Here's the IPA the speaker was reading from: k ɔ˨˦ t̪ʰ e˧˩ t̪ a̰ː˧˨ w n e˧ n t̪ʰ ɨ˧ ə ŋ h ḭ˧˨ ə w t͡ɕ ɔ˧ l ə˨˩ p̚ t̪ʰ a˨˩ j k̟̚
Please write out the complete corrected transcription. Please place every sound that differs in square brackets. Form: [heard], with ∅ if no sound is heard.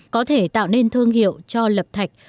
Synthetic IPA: k ɔ˨˦ t̪ʰ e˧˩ t̪ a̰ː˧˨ w n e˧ n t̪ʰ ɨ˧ ə ŋ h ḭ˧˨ ə w t͡ɕ ɔ˧ l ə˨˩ p̚ t̪ʰ a˨˩ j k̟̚